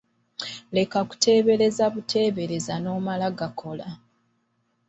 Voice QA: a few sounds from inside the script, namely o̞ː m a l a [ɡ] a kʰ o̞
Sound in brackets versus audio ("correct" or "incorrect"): correct